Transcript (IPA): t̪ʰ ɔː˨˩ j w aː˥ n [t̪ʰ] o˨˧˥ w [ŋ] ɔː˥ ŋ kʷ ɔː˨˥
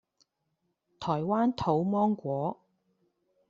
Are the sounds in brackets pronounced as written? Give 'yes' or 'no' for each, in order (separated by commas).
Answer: yes, no